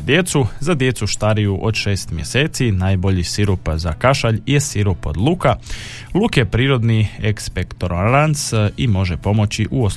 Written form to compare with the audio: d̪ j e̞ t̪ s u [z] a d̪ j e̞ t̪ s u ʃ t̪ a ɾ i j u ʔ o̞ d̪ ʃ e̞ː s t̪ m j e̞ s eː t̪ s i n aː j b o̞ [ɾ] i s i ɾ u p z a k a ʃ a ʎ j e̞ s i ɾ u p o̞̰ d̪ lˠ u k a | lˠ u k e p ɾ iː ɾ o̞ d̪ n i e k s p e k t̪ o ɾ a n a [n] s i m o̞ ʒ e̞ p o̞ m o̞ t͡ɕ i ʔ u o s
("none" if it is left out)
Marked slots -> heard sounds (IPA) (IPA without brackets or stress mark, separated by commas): z, ʎ, n